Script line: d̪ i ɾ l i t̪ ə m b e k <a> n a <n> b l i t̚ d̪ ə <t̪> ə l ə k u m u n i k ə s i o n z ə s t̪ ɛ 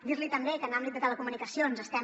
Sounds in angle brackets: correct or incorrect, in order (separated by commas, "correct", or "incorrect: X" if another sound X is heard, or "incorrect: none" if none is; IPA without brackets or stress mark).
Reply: incorrect: ə, incorrect: m, correct